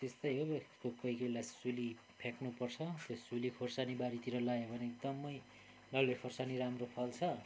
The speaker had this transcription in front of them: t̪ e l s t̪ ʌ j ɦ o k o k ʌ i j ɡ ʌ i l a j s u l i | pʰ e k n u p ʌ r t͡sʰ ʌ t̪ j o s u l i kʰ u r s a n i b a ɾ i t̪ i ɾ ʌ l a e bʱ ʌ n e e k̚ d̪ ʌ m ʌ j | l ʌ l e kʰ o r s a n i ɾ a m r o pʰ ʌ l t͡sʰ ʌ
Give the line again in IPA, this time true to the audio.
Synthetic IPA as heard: t̪ e s t̪ ʌ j ɦ o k o k ʌ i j k ʌ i l a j s u l i | pʰ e k n u p ʌ r t͡sʰ ʌ t̪ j o s u l i kʰ o r s a n i b a ɾ i t̪ i ɾ ʌ l a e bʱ ʌ n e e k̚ d̪ ʌ m ʌ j | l ʌ l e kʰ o r s a n i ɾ a m r o pʰ ʌ l t͡sʰ ʌ

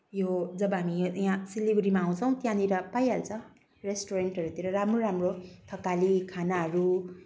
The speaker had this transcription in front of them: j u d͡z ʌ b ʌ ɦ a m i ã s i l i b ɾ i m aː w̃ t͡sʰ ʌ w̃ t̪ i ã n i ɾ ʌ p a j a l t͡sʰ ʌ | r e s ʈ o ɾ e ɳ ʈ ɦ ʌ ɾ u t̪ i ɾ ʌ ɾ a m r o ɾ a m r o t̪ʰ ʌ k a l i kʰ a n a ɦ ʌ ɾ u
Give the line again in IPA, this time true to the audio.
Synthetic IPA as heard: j o d͡z ʌ b ʌ ɦ a m i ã s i l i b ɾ i m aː w̃ t͡sʰ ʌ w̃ t̪ j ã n i ɾ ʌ p a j a l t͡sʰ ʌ | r e s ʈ o ɾ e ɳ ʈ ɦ ʌ ɾ u t̪ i ɾ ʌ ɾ a m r o ɾ a m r o t̪ʰ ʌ k a l i kʰ a n a ɦ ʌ ɾ u

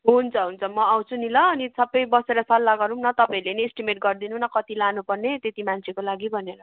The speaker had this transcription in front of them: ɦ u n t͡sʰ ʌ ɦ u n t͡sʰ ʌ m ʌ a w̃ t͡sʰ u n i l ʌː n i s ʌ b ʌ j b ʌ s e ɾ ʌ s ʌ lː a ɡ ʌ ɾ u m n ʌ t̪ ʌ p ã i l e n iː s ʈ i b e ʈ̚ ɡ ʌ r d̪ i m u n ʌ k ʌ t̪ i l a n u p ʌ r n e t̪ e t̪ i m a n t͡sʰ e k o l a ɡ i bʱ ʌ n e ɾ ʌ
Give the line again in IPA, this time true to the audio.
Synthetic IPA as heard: ɦ u n t͡sʰ ʌ ɦ u n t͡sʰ ʌ m ʌ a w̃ t͡sʰ u n i l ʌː n i s ʌ b ʌ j b ʌ s e ɾ ʌ s ʌ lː a ɡ ʌ ɾ u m n ʌ t̪ ʌ p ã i l e n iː s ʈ i m e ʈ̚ ɡ ʌ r d̪ i n u n ʌ k ʌ t̪ i l a n u p ʌ r n e t̪ e t̪ i m a n t͡sʰ e k o l a ɡ i bʱ ʌ n e ɾ ʌ

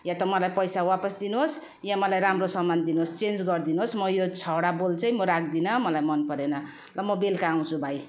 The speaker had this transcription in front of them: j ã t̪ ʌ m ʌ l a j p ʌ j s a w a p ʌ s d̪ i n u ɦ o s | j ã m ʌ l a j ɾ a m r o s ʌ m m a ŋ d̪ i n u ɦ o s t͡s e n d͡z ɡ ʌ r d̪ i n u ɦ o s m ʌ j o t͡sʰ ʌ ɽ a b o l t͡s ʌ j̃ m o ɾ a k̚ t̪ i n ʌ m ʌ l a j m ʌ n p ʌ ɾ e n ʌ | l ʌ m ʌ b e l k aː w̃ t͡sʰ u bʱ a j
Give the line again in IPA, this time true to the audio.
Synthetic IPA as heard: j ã t̪ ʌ m ʌ l a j p ʌ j s a w a p ʌ s d̪ i n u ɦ o s | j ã m ʌ l a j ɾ a m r o s ʌ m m a n d̪ i n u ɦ o s t͡s e n d͡z ɡ ʌ r d̪ i n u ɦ o s m ʌ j o t͡sʰ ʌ ɽ a b o l t͡s ʌ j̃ m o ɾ a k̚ d̪ i n ʌ m ʌ l a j m ʌ n p ʌ ɾ e n ʌ | l ʌ m ʌ b e l k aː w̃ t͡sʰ u bʱ a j

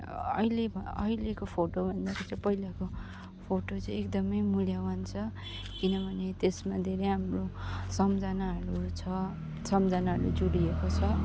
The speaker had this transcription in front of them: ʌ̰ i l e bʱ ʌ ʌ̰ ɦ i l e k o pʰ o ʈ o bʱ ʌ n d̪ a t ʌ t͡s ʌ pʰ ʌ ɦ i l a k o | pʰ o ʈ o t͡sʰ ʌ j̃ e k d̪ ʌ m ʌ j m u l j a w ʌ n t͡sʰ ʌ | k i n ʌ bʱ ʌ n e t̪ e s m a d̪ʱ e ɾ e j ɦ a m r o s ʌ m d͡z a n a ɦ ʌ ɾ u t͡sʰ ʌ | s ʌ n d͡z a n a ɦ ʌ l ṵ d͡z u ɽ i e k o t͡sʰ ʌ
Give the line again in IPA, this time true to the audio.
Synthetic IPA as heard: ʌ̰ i l e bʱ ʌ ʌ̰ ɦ i l e k o pʰ o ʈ o bʱ ʌ n d̪ a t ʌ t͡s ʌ p ʌ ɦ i l a k o | pʰ o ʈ o t͡s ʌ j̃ e k d̪ ʌ m ʌ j m u l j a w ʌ n t͡sʰ ʌ | k i n ʌ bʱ ʌ n e t̪ e s m a d̪ʱ e ɾ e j ɦ a m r o s ʌ m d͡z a n a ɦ ʌ ɾ u t͡sʰ ʌ | s ʌ m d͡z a n a ɦ ʌ ɾ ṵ d͡z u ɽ i e k o t͡sʰ ʌ

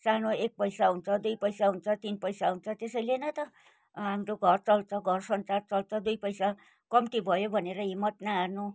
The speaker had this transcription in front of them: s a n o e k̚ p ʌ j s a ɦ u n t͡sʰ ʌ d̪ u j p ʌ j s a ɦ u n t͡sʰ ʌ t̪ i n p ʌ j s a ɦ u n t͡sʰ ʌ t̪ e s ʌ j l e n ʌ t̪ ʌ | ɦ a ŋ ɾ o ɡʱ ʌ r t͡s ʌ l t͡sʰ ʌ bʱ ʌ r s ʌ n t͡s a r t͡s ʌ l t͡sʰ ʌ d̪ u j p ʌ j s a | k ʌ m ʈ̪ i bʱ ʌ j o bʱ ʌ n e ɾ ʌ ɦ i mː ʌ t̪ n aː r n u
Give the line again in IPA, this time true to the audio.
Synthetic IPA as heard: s a n o e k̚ p ʌ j s a ɦ u n t͡sʰ ʌ d̪ u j p ʌ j s a ɦ u n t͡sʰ ʌ t̪ i n p ʌ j s a ɦ u n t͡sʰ ʌ t̪ e s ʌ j l e n ʌ t̪ ʌ | ɦ a m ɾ o ɡʱ ʌ r t͡s ʌ l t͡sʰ ʌ ɡʱ ʌ r s ʌ n t͡s a r t͡s ʌ l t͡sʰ ʌ d̪ u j p ʌ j s a | k ʌ m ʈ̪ i bʱ ʌ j o bʱ ʌ n e ɾ ʌ ɦ i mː ʌ t̪ n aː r n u

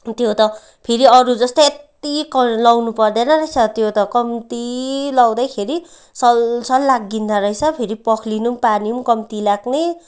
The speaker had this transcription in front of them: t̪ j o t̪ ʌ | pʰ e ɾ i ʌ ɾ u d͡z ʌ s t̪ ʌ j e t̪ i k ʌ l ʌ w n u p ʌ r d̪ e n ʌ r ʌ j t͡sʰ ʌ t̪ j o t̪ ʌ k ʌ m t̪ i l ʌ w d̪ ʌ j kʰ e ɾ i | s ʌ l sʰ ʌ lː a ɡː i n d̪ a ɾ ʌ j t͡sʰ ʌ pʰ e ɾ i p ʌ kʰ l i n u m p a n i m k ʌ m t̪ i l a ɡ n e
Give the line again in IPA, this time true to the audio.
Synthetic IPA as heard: t̪ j o t̪ ʌ | pʰ e ɾ i ʌ ɾ u d͡z ʌ s t̪ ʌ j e t̪ i k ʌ l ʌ w n u p ʌ r d̪ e n ʌ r ʌ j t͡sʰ ʌ t̪ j o t̪ ʌ k ʌ m t̪ i l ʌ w d̪ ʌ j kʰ e ɾ i | s ʌ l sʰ ʌ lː a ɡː i n d̪ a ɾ ʌ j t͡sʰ ʌ pʰ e ɾ i p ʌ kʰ l i n u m p a n i m k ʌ m t̪ i l a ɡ n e

